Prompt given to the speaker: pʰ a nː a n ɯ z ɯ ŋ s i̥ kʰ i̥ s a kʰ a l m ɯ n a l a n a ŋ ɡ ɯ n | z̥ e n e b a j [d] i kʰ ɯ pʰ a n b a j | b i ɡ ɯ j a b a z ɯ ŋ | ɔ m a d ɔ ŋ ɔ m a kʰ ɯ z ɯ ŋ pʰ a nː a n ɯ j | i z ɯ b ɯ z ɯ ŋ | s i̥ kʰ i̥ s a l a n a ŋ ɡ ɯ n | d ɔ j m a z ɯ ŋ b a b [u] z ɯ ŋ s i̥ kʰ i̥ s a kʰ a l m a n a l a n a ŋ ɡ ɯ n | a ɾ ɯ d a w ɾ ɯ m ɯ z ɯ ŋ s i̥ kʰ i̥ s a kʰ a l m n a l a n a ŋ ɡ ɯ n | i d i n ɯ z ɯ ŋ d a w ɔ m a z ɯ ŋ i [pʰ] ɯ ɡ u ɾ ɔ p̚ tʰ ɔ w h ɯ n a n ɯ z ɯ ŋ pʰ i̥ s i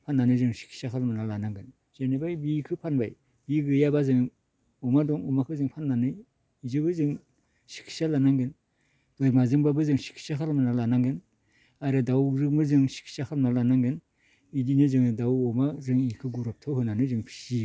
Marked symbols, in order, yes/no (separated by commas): no, no, no